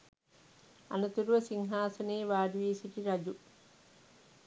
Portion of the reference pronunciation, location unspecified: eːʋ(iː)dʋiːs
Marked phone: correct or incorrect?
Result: incorrect